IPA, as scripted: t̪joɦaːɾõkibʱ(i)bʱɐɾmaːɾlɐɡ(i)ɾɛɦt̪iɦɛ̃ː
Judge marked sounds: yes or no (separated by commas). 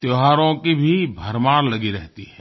yes, yes